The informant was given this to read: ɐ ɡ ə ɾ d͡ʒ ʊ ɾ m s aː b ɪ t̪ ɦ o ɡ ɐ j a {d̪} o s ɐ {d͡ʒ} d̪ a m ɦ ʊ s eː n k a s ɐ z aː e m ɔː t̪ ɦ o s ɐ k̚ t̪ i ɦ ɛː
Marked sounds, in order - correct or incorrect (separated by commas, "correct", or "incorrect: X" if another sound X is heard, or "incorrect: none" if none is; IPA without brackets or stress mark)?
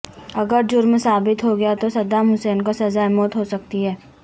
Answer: incorrect: t̪, incorrect: none